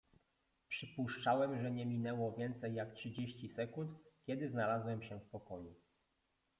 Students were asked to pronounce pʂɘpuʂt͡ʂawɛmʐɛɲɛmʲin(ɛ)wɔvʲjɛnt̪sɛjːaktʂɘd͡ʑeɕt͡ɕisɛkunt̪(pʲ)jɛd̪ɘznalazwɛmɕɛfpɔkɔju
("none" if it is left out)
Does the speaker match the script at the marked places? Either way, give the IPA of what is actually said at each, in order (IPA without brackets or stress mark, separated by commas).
ɛ, kʲ